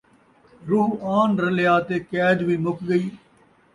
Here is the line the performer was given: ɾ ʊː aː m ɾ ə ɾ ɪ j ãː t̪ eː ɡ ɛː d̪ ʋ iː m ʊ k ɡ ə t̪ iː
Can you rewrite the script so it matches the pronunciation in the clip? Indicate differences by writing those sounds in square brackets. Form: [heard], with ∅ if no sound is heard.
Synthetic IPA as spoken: ɾ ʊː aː [n] ɾ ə [l] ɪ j [aː] t̪ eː [k] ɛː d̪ ʋ iː m ʊ k ɡ ə [∅] iː